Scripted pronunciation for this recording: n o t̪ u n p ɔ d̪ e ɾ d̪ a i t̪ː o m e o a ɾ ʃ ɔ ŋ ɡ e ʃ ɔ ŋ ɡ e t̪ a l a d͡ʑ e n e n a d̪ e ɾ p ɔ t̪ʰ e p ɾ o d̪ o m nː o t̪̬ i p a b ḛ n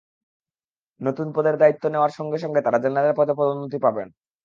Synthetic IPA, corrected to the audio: n o t̪ u n p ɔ d̪ e ɾ d̪ a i t̪ː o n e o a ɾ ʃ ɔ ŋ ɡ e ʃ ɔ ŋ ɡ e t̪ a ɾ a d͡ʑ e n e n a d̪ e ɾ p ɔ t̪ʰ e p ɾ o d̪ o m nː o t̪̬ i p a b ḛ n